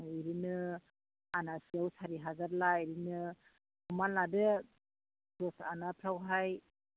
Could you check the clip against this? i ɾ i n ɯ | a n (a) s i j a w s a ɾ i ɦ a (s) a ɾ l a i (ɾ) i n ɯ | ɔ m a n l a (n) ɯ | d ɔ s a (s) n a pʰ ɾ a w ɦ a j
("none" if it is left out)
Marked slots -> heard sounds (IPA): a, z, ɾ, d, none

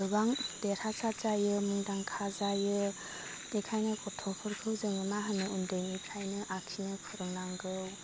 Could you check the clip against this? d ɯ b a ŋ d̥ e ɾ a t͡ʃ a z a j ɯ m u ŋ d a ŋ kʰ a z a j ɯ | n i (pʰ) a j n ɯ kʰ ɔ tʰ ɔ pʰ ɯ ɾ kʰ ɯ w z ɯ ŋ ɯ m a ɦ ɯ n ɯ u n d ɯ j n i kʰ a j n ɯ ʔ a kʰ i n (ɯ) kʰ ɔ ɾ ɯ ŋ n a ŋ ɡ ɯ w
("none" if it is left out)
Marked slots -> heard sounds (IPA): kʰ, ɯ

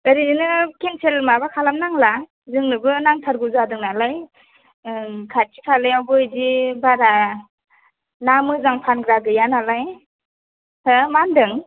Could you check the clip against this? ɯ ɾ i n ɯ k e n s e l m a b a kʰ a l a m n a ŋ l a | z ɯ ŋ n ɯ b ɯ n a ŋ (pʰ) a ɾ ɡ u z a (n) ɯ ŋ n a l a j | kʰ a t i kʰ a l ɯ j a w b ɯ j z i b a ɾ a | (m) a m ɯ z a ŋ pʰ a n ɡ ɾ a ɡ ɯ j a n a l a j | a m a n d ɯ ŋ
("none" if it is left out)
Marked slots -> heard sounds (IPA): tʰ, d, n

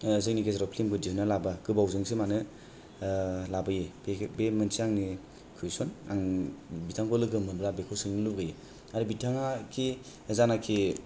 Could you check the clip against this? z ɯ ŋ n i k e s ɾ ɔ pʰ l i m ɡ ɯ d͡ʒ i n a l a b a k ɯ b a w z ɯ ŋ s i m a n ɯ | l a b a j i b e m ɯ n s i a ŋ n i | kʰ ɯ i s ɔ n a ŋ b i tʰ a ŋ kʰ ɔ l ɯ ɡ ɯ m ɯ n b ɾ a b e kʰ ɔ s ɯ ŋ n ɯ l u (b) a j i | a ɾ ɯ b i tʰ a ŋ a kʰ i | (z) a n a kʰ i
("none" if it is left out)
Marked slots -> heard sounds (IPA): ɡ, z

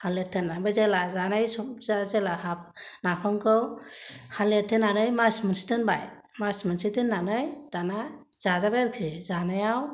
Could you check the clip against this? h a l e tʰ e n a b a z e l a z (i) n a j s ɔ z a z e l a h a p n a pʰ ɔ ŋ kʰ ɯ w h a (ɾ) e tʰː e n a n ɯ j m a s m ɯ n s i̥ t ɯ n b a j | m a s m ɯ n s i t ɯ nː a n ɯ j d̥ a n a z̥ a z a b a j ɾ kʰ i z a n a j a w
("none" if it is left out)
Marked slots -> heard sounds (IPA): a, l

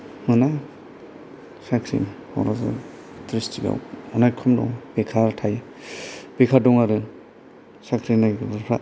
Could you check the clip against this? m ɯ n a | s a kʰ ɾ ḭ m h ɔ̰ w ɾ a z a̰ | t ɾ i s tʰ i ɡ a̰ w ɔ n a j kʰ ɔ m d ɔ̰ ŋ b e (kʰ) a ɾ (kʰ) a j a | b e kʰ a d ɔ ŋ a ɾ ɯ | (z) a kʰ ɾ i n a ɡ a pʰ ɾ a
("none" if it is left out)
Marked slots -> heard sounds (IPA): kʰ, tʰ, s

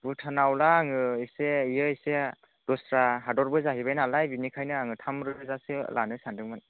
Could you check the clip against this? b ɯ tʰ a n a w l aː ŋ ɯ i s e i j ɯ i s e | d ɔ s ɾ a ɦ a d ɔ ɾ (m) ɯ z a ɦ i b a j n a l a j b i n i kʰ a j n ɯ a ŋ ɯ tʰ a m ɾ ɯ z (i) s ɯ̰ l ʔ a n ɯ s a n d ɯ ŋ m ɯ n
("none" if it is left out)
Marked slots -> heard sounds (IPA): b, a

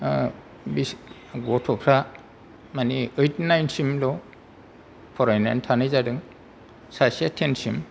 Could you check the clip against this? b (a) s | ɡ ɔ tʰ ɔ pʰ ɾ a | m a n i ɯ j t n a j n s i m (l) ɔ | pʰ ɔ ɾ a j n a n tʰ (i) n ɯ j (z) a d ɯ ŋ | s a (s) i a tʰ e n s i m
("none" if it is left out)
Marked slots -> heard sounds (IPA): i, l, a, z, s

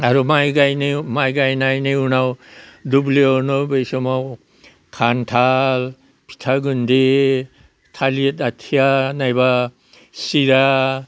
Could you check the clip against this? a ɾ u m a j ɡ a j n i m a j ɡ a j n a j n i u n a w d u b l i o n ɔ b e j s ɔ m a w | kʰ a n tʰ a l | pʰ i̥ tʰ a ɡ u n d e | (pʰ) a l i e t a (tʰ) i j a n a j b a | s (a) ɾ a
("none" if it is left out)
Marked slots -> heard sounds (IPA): tʰ, tʰ, i

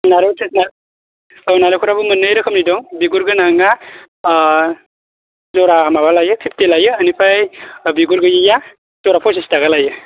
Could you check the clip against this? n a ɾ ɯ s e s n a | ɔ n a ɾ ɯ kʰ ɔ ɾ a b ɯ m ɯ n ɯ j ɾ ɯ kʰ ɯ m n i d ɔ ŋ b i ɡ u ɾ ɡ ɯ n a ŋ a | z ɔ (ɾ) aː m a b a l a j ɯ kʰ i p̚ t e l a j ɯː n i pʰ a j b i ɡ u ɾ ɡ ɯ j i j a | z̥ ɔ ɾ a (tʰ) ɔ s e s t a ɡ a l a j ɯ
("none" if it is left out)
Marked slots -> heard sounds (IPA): ɾ, pʰ

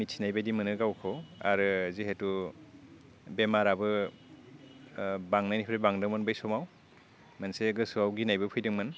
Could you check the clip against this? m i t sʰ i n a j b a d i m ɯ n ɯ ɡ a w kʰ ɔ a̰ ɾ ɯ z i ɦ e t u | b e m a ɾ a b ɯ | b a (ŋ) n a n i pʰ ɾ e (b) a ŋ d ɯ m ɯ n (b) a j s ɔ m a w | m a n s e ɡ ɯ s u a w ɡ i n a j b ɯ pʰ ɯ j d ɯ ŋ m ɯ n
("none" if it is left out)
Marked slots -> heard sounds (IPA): ŋ, b, b

